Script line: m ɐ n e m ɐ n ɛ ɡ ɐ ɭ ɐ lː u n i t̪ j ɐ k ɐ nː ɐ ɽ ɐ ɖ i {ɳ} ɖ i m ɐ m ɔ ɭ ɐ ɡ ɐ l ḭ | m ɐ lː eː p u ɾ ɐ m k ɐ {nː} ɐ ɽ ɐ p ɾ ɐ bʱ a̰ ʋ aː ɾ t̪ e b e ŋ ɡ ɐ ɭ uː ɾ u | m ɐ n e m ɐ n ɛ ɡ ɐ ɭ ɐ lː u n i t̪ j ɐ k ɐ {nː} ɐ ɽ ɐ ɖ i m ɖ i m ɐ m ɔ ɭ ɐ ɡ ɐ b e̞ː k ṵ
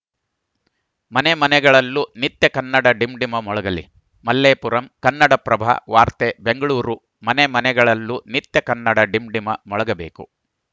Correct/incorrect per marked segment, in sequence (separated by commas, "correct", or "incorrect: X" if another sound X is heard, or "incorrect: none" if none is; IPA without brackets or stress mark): incorrect: m, correct, correct